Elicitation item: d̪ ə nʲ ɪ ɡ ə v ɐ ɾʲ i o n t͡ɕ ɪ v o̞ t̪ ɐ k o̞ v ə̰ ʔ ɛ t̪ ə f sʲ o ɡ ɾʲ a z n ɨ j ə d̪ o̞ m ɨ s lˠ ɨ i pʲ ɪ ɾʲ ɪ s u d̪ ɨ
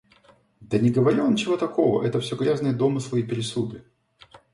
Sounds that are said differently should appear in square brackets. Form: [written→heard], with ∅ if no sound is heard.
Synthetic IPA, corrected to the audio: d̪ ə nʲ ɪ ɡ ə v ɐ ɾʲ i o n t͡ɕ ɪ v o̞ t̪ ɐ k o̞ v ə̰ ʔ ɛ t̪ ə f sʲ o ɡ ɾʲ a z n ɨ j ə d̪ o̞ m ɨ s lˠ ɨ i pʲ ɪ ɾʲ ɪ s u d̪ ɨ